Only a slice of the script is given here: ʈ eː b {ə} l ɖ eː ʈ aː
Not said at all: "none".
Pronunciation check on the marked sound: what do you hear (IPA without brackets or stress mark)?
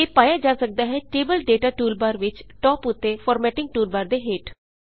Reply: ə